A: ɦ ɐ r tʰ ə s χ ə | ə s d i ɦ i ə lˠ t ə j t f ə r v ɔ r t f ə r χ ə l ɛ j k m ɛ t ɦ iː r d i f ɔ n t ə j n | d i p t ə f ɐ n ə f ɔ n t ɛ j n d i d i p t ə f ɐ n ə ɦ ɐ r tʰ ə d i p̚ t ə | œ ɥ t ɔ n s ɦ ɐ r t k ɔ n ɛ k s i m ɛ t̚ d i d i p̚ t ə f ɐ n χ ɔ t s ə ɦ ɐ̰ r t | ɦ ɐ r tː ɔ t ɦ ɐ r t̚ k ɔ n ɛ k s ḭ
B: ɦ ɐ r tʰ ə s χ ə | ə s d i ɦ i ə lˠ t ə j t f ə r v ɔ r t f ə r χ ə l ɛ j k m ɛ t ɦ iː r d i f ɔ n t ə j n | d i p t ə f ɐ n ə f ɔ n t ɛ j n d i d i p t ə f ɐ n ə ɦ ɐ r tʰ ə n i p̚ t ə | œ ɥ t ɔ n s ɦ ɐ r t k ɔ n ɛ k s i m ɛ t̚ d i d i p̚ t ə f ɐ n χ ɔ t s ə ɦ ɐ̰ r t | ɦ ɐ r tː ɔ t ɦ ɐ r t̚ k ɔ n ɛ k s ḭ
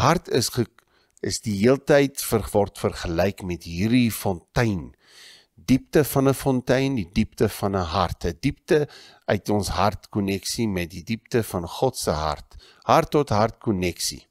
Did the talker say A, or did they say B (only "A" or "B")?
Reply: A